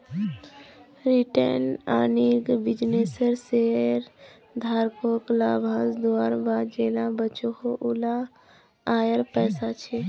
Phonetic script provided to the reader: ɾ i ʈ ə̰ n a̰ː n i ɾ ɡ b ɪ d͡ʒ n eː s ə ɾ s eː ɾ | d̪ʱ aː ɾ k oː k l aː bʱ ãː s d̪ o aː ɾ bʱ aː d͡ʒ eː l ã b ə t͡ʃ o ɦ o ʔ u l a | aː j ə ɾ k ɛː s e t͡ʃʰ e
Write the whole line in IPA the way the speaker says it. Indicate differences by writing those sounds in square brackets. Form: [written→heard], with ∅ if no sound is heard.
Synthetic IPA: ɾ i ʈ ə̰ n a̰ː n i ɾ ɡ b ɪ d͡ʒ n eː s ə ɾ s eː ɾ | d̪ʱ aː ɾ k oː k l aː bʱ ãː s d̪ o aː ɾ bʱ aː d͡ʒ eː l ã b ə t͡ʃ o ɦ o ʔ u l a | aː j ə ɾ [k→p] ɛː s [e→a] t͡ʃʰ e

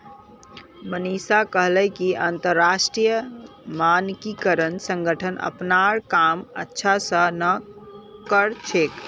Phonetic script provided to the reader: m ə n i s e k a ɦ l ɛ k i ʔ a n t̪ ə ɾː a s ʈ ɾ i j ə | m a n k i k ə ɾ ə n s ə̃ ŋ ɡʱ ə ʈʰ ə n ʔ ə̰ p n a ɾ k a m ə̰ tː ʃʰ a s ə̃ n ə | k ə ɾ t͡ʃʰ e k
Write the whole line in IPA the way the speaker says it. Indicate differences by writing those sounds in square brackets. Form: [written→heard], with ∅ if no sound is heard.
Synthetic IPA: m ə n i s [e→a] k [a→ə] ɦ l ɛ k i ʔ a n t̪ ə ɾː a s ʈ ɾ i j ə | m a n k i k ə ɾ ə n s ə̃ ŋ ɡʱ ə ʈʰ ə n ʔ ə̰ p n a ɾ k a m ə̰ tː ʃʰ a s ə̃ n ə | k ə ɾ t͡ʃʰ e k

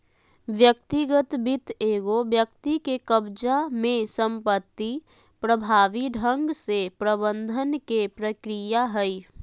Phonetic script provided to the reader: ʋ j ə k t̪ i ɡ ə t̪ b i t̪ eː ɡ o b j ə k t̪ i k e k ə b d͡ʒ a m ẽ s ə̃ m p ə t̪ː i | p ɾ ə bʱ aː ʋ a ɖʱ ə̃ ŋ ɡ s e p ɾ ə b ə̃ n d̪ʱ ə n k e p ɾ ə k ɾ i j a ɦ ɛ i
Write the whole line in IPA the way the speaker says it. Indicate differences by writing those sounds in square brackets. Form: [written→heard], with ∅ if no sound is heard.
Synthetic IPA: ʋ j ə k t̪ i ɡ ə t̪ b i t̪ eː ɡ o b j ə k t̪ i k e k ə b d͡ʒ a m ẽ s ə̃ m p ə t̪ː i | p ɾ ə bʱ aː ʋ [a→i] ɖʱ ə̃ ŋ ɡ s e p ɾ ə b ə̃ n d̪ʱ ə n k e p ɾ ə k ɾ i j a ɦ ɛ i

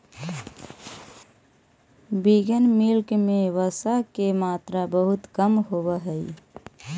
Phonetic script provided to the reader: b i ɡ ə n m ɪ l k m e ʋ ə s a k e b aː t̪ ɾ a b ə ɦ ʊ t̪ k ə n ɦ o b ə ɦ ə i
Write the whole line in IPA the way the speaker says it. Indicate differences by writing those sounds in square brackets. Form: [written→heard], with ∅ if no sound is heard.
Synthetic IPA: b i ɡ ə n m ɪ l k m e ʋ ə s a k e [b→m] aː t̪ ɾ a b ə ɦ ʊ t̪ k ə [n→m] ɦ o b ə ɦ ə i

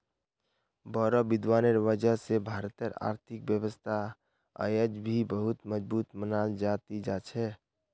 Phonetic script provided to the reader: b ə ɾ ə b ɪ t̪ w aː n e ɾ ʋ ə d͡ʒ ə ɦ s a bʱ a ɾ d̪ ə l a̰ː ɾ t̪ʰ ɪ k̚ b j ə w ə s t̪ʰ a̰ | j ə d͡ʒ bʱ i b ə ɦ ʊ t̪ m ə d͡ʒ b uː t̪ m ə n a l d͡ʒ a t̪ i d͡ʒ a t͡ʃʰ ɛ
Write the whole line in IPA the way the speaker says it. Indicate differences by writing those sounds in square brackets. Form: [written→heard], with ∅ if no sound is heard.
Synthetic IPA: b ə ɾ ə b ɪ [t̪→d̪] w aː n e ɾ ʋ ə d͡ʒ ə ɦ s [a→e] bʱ a ɾ [d̪→t̪] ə [l→ɾ] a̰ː ɾ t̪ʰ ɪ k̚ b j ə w ə s t̪ʰ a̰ | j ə d͡ʒ bʱ i b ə ɦ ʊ t̪ m ə d͡ʒ b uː t̪ m ə n a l d͡ʒ a t̪ i d͡ʒ a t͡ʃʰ ɛ

